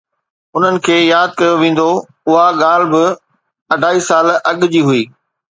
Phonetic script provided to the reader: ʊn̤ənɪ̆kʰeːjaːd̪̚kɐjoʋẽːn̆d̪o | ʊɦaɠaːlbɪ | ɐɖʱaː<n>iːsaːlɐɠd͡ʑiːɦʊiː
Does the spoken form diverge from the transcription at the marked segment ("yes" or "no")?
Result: yes